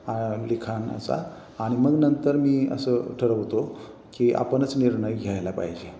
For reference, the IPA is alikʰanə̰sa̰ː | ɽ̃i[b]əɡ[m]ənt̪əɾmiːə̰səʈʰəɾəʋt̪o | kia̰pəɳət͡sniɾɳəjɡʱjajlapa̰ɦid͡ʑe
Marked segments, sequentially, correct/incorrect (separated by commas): incorrect, incorrect